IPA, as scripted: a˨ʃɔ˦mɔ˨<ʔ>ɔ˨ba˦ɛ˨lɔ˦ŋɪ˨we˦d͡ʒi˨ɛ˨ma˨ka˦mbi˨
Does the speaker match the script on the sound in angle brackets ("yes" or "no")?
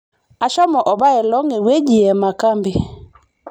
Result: yes